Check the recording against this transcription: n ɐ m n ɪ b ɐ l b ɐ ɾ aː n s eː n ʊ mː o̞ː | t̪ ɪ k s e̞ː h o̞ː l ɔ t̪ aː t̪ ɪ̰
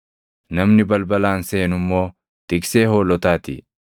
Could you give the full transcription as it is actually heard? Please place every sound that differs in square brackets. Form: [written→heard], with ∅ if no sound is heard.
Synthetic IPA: n ɐ m n ɪ b ɐ l b ɐ [ɾ→l] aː n s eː n ʊ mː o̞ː | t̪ ɪ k s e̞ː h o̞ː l ɔ t̪ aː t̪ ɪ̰

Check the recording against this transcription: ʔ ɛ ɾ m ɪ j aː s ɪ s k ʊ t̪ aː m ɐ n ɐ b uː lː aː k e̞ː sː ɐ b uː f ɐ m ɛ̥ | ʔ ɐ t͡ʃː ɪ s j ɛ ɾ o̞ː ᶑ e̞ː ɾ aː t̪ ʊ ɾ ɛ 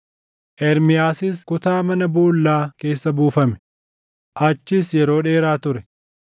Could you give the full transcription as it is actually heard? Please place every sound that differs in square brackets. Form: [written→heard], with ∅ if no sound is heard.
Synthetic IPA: ʔ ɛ ɾ m ɪ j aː s ɪ s k ʊ t̪ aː m ɐ n ɐ b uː lː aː k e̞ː sː ɐ b uː f ɐ m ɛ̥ | ʔ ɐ t͡ʃː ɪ s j ɛ ɾ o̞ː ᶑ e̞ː ɾ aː t̪ ʊ ɾ ɛ

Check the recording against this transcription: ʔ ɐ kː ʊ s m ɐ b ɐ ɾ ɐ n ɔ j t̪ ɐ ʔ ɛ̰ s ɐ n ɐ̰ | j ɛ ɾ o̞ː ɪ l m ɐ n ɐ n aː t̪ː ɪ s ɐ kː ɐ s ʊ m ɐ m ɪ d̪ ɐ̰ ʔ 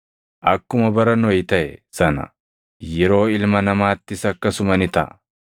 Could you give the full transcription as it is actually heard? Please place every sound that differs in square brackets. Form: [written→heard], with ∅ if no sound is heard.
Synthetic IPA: ʔ ɐ kː ʊ [s→∅] m ɐ b ɐ ɾ ɐ n ɔ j t̪ ɐ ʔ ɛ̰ s ɐ n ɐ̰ | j ɛ ɾ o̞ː ɪ l m ɐ n ɐ [n→m] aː t̪ː ɪ s ɐ kː ɐ s ʊ m ɐ [m→n] ɪ [d̪→t̪] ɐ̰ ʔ

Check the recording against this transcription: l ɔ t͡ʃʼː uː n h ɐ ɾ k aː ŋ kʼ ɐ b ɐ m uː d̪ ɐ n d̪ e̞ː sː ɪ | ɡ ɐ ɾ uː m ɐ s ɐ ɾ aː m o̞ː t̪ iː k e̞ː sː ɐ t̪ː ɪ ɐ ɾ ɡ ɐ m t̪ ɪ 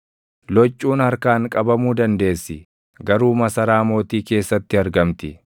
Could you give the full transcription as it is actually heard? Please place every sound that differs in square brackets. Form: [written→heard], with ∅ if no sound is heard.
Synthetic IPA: l ɔ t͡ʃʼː uː n h ɐ ɾ k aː ŋ kʼ ɐ b ɐ m uː d̪ ɐ n d̪ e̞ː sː ɪ | ɡ ɐ ɾ uː m ɐ s ɐ ɾ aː m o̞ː t̪ iː k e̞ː sː ɐ t̪ː ɪ ɐ ɾ ɡ ɐ m t̪ ɪ

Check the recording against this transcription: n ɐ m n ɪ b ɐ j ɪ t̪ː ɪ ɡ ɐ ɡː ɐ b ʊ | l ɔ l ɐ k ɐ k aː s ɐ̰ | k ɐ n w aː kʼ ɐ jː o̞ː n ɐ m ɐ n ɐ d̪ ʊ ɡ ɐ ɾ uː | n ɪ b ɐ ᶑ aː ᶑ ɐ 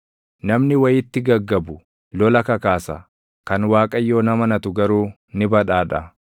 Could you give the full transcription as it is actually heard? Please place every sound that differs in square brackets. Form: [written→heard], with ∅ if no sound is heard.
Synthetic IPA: n ɐ m n ɪ [b→w] ɐ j ɪ t̪ː ɪ ɡ ɐ ɡː ɐ b ʊ | l ɔ l ɐ k ɐ k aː s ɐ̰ | k ɐ n w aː kʼ ɐ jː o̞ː n ɐ m ɐ n ɐ [d̪→t̪] ʊ ɡ ɐ ɾ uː | n ɪ b ɐ ᶑ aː ᶑ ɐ

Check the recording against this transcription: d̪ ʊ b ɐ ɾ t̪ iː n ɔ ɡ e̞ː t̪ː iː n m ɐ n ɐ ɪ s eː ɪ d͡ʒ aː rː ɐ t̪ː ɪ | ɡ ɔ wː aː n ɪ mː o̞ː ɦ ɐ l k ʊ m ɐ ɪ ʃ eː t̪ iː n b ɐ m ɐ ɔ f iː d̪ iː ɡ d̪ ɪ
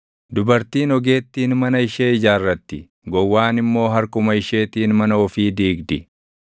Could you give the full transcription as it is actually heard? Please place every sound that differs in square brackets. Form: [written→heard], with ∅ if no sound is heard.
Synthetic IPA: d̪ ʊ b ɐ ɾ t̪ iː n ɔ ɡ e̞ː t̪ː iː n m ɐ n ɐ ɪ [s→ʃ] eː ɪ d͡ʒ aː rː ɐ t̪ː ɪ | ɡ ɔ wː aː n ɪ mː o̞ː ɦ ɐ [l→ɾ] k ʊ m ɐ ɪ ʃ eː t̪ iː n [b→m] ɐ [m→n] ɐ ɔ f iː d̪ iː ɡ d̪ ɪ

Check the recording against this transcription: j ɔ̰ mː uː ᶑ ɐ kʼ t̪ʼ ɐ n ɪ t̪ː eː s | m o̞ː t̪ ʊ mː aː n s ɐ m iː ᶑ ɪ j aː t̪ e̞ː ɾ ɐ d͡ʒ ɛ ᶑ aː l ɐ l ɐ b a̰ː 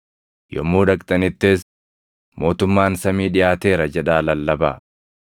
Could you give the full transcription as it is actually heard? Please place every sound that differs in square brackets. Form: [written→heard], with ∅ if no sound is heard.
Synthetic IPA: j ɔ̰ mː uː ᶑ ɐ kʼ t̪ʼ ɐ n ɪ t̪ː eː s | m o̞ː t̪ ʊ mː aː n s ɐ m iː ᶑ ɪ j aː t̪ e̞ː ɾ ɐ d͡ʒ ɛ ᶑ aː l ɐ [l→lː] ɐ b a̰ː

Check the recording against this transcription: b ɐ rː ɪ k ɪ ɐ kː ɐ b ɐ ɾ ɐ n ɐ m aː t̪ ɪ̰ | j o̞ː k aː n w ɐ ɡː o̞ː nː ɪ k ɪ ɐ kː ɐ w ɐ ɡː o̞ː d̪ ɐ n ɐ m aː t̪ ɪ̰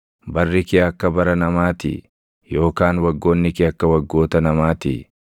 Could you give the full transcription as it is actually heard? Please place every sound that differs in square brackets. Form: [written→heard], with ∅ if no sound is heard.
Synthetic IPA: b ɐ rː ɪ k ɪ ɐ kː ɐ b ɐ ɾ ɐ n ɐ m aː t̪ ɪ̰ | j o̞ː k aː n w ɐ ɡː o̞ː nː ɪ k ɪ ɐ kː ɐ w ɐ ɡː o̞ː [d̪→t̪] ɐ n ɐ m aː t̪ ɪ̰

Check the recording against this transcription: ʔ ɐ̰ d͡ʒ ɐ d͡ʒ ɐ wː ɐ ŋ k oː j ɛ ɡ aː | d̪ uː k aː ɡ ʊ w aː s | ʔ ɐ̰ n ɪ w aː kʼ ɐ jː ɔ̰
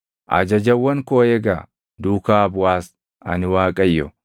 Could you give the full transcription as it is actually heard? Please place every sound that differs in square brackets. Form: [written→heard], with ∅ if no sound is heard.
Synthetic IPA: ʔ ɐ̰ d͡ʒ ɐ d͡ʒ ɐ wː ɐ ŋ k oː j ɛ ɡ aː | d̪ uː k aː [ɡ→b] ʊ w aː s | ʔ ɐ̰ n ɪ w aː kʼ ɐ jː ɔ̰

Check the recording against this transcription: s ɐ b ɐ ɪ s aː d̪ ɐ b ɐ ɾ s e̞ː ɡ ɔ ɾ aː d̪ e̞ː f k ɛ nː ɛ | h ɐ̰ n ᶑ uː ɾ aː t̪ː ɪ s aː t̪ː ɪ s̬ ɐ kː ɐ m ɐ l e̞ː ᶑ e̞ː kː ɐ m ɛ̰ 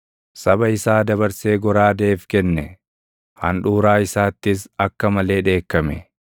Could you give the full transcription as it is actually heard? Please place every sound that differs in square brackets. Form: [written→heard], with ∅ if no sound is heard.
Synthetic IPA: s ɐ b ɐ ɪ s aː d̪ ɐ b ɐ ɾ s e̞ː ɡ ɔ ɾ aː d̪ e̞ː f k ɛ nː ɛ | h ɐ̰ n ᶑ uː ɾ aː [t̪ː→∅] ɪ s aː t̪ː ɪ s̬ ɐ kː ɐ m ɐ l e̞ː ᶑ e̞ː kː ɐ m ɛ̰

